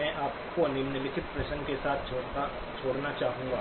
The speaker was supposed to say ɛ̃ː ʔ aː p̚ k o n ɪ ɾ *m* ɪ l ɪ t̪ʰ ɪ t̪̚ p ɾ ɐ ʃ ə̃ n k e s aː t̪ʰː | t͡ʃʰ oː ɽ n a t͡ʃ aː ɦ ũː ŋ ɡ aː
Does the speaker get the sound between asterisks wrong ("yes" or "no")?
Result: yes